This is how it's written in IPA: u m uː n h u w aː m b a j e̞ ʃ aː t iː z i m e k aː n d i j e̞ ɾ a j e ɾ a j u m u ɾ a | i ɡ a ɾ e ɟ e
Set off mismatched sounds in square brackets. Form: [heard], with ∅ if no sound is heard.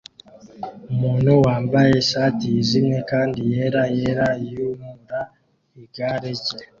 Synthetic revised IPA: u m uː n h u w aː m b a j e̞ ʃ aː t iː z i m e k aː n d i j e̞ ɾ a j e ɾ a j u m u ɾ a | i ɡ a ɾ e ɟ e